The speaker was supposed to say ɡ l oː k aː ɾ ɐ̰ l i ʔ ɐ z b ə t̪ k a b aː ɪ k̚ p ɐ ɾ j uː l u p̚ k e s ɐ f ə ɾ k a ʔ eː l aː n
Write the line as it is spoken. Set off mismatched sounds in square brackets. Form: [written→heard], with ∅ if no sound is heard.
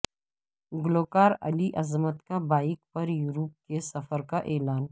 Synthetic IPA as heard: ɡ l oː k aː ɾ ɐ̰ l i ʔ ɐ z [b→m] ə t̪ k a b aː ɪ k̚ p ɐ ɾ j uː [l→ɾ] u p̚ k e s ɐ f ə ɾ k a ʔ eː l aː n